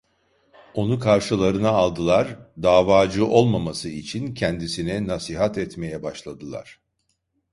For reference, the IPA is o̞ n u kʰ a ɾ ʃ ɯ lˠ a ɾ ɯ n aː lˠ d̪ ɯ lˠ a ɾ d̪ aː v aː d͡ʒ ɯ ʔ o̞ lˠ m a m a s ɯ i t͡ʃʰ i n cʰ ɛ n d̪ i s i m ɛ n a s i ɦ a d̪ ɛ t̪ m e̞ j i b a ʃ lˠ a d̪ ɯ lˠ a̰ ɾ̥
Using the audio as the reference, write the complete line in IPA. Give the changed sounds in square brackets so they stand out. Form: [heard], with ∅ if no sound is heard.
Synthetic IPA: o̞ n u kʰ a ɾ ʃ ɯ lˠ a ɾ ɯ n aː lˠ d̪ ɯ lˠ a ɾ d̪ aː v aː d͡ʒ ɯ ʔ o̞ lˠ m a m a s ɯ i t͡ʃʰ i n cʰ ɛ n d̪ i s i [n] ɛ n a s i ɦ a [t̪] ɛ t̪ m e̞ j [ɛ] b a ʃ lˠ a d̪ ɯ lˠ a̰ ɾ̥